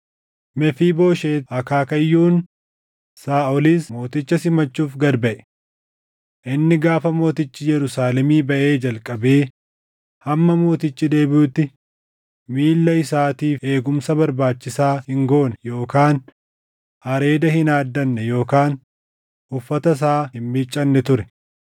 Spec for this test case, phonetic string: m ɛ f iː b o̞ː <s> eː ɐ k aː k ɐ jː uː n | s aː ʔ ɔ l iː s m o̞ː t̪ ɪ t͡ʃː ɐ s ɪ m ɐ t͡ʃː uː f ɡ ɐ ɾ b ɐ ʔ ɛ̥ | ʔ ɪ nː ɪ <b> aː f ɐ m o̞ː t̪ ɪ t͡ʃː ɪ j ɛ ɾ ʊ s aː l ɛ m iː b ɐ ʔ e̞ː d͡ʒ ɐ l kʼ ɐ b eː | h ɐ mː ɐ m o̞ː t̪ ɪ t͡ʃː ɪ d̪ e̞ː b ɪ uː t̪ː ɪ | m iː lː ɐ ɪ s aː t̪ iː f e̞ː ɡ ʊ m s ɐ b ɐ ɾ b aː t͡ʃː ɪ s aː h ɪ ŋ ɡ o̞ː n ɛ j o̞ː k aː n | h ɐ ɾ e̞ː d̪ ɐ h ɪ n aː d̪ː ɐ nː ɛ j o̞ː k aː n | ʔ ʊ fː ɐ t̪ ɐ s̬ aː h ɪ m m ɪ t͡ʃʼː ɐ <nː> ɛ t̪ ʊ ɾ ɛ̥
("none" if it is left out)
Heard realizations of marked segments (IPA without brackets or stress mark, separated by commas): ʃ, ɡ, nː